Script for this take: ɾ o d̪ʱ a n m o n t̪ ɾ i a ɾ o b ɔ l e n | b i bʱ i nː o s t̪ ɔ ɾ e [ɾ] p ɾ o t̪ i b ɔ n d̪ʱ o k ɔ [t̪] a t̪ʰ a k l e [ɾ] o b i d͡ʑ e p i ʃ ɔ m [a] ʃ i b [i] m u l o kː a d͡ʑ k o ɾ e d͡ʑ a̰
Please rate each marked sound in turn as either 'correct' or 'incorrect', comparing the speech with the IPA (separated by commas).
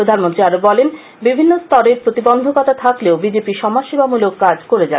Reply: correct, correct, incorrect, correct, incorrect